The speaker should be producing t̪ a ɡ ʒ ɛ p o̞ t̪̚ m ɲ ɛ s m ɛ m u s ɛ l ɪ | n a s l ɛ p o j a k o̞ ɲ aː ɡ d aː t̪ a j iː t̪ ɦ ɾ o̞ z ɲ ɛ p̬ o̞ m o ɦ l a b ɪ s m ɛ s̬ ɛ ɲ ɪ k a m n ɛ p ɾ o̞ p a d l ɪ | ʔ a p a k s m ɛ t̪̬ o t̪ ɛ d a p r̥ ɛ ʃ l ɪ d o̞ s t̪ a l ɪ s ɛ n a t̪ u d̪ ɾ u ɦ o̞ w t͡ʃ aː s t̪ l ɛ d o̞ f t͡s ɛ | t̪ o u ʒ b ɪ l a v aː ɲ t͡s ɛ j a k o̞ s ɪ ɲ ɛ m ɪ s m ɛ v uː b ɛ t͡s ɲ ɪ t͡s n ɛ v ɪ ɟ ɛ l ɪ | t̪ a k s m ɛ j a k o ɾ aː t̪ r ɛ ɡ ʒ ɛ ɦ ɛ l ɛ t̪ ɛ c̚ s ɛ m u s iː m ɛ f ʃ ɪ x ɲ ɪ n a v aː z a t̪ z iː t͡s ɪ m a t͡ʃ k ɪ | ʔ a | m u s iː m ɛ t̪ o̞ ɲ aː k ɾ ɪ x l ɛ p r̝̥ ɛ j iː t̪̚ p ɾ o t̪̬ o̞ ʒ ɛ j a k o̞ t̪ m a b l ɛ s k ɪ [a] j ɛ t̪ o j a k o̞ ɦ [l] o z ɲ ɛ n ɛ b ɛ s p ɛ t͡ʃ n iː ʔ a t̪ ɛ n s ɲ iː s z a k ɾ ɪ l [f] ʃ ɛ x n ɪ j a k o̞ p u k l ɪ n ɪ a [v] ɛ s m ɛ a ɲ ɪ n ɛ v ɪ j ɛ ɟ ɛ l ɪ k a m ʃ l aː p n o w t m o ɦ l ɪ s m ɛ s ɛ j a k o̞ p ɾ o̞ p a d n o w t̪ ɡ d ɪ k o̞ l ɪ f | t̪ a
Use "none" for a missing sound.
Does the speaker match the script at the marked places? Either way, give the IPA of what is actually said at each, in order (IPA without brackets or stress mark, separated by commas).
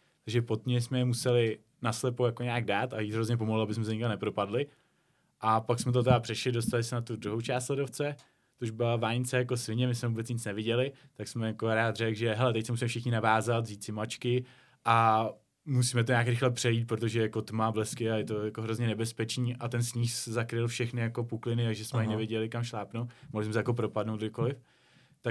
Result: a, ɾ, f, ʒ